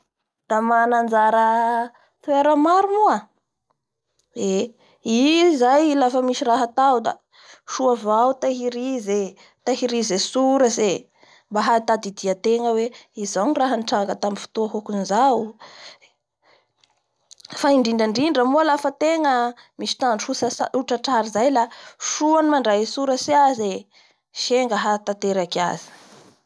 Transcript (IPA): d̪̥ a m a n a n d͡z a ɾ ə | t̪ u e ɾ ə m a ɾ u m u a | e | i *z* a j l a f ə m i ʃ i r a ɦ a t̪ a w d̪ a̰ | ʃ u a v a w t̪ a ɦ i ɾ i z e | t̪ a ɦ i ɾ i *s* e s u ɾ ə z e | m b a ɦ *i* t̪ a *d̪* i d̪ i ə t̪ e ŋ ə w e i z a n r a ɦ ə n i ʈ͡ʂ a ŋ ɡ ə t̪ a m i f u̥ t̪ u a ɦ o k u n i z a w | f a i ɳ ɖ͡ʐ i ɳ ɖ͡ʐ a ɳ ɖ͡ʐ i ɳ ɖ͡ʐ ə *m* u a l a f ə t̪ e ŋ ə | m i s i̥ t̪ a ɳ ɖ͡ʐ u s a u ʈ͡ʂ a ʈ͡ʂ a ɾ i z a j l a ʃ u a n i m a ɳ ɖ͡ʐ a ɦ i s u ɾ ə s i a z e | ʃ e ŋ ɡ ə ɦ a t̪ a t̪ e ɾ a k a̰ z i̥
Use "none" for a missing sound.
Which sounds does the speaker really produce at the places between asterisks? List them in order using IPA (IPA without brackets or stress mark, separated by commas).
z, z, a, d̪, m